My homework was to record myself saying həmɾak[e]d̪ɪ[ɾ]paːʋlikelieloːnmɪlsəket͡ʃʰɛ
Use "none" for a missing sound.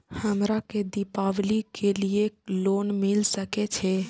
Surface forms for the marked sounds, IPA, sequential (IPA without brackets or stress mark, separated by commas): e, none